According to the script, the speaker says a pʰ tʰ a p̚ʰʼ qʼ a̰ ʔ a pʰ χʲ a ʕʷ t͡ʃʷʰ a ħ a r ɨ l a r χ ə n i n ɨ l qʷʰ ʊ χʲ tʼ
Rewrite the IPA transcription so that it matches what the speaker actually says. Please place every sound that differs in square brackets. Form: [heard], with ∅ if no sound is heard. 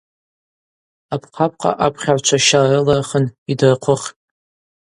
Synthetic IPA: a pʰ [qʰ] a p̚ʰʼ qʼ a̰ ʔ a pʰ χʲ a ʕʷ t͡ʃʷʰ a [ʃ] a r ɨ l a r χ ə n i [d] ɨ [r] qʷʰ ʊ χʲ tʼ